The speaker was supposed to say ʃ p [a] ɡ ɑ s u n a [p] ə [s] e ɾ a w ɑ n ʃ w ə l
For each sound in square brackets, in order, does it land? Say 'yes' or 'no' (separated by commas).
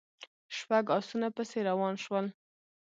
yes, yes, yes